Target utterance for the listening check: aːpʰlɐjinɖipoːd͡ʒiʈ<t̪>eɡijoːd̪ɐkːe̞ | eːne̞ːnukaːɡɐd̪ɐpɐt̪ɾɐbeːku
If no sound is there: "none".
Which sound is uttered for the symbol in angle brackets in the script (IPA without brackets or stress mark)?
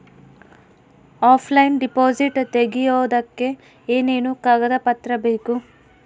t̪